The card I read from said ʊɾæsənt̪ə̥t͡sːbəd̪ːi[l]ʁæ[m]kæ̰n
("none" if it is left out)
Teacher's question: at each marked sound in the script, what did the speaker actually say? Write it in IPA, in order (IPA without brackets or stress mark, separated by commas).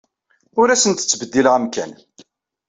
l, m